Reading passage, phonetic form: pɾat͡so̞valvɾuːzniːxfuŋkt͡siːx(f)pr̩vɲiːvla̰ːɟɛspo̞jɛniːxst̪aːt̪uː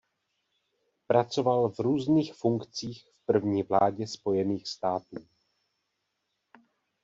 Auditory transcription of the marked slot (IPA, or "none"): f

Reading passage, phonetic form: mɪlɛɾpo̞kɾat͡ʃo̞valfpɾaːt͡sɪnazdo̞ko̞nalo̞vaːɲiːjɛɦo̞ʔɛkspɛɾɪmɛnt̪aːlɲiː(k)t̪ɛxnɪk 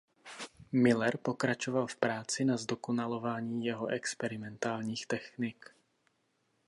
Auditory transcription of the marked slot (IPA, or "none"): x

